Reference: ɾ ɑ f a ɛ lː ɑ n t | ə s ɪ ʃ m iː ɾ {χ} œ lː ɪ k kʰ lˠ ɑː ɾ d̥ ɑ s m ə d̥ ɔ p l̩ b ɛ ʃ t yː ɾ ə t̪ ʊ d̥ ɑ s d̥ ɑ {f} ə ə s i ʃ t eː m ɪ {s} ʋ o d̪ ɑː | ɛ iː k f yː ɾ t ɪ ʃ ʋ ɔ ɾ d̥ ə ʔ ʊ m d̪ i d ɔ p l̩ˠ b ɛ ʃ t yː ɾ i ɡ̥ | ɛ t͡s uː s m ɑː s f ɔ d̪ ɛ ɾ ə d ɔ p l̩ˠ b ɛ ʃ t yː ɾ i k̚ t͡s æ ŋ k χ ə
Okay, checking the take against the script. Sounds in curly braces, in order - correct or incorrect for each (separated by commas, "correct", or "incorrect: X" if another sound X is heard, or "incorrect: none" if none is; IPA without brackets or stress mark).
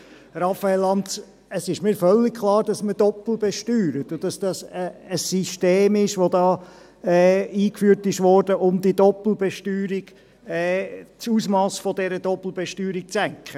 incorrect: f, incorrect: s, incorrect: ʃ